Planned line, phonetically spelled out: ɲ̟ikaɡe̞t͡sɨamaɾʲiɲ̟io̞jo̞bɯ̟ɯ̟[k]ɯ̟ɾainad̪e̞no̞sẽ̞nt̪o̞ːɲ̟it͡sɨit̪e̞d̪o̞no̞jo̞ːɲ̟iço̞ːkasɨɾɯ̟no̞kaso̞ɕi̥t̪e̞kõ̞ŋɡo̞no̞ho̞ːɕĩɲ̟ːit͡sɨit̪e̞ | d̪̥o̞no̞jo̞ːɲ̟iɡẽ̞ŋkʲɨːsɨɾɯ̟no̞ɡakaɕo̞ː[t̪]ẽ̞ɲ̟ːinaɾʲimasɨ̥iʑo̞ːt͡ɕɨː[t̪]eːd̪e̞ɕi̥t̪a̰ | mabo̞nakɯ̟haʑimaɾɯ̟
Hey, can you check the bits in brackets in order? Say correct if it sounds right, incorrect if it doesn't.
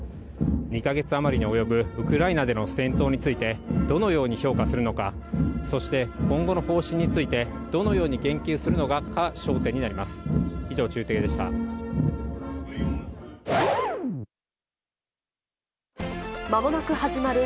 correct, correct, correct

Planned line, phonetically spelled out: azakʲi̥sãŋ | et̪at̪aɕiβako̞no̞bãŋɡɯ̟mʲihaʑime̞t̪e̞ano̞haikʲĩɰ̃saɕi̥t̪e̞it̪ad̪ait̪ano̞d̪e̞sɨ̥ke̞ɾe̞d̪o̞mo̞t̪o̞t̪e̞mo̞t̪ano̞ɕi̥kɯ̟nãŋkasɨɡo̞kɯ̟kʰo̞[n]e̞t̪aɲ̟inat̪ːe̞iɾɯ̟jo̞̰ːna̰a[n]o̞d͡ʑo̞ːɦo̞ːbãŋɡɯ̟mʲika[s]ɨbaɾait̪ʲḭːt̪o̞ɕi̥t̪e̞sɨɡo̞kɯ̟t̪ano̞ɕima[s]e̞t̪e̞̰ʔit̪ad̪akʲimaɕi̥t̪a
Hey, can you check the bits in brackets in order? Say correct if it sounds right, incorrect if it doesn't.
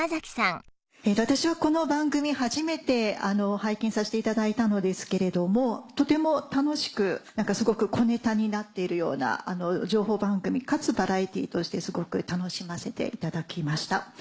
correct, correct, incorrect: t͡s, correct

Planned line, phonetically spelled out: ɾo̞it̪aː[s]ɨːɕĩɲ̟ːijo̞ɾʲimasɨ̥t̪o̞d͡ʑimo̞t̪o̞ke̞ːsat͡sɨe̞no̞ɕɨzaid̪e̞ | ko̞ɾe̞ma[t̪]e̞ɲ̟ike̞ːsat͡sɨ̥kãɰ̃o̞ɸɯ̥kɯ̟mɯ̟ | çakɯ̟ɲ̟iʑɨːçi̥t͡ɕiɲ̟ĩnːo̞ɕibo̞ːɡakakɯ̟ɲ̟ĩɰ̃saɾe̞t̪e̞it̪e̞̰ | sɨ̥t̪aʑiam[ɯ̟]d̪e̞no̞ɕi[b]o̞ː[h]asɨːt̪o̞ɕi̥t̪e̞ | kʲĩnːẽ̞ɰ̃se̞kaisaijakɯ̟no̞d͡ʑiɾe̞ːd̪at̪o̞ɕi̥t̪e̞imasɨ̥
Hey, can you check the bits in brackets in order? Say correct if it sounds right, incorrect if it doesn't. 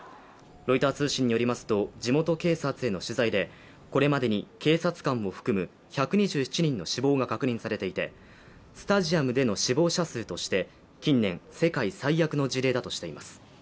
incorrect: t͡s, incorrect: d̪, correct, correct, incorrect: ɕ

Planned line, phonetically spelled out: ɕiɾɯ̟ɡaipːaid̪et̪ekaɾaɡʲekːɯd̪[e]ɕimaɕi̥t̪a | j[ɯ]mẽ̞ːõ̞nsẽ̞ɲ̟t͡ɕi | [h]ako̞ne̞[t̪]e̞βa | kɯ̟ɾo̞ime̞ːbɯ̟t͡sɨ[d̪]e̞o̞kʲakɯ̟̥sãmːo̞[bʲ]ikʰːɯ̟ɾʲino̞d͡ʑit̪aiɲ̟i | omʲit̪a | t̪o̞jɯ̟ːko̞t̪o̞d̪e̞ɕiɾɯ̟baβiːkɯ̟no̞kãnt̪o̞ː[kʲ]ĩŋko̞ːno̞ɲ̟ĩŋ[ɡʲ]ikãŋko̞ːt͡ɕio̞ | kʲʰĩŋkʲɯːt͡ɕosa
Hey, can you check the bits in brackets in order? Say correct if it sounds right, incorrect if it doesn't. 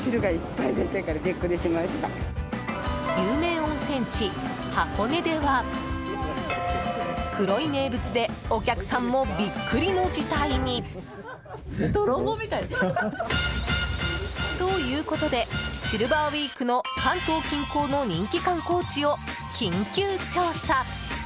correct, incorrect: ɯː, correct, incorrect: d̪, correct, correct, correct, incorrect: kʲ

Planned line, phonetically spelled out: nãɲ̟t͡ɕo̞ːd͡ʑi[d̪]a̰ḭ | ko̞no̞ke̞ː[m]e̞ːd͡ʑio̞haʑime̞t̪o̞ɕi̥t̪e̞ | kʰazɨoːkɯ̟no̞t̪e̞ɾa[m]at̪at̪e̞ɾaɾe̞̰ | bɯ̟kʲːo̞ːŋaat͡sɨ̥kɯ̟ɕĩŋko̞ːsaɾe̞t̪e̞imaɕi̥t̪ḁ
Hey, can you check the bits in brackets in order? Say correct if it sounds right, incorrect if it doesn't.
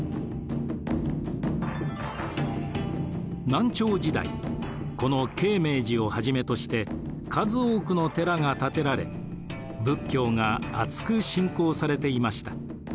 correct, correct, incorrect: ŋ

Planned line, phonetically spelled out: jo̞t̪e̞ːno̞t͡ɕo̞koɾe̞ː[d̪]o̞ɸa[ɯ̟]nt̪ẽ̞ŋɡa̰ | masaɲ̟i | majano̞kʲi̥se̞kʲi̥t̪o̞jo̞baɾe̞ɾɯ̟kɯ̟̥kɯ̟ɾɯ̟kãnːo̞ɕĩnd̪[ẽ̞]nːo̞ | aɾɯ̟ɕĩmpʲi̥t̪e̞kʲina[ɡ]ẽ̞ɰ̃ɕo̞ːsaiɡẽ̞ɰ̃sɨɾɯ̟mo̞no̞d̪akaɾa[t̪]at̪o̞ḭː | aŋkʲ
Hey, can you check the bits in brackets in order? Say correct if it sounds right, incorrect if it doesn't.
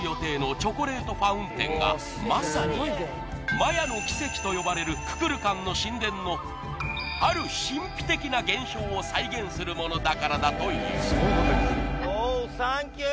incorrect: t̪, incorrect: ɯ̟̃, correct, correct, incorrect: d̪

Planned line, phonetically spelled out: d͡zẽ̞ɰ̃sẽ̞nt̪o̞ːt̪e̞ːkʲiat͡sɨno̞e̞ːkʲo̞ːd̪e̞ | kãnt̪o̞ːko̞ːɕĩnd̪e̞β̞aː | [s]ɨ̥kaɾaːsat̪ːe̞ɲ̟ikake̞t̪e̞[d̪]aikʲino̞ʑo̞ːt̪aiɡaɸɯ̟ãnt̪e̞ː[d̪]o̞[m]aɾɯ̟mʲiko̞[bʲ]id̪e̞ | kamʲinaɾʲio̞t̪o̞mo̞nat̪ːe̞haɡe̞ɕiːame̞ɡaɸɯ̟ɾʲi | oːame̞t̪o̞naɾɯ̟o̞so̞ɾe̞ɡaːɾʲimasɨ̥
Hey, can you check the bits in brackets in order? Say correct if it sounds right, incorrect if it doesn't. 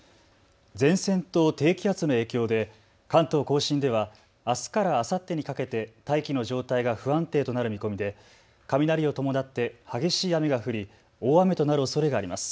correct, incorrect: t̪, incorrect: t̪, incorrect: n, incorrect: mʲ

